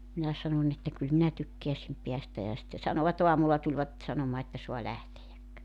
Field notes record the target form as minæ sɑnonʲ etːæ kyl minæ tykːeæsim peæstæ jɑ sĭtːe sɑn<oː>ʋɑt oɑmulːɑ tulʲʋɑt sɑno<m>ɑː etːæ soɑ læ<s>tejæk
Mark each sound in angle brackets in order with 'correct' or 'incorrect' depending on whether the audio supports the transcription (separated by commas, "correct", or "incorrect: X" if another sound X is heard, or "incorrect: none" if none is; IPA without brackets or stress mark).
incorrect: o, correct, incorrect: h